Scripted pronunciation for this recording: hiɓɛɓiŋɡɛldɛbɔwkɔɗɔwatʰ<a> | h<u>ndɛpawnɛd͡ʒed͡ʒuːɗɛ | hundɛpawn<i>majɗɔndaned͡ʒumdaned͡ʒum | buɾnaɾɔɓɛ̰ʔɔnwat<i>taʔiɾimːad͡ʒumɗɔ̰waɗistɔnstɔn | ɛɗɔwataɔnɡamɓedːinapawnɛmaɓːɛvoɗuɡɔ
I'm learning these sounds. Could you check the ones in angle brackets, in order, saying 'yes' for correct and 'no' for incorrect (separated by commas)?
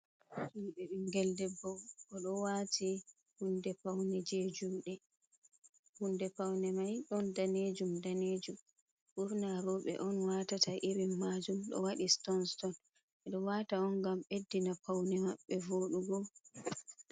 no, yes, no, no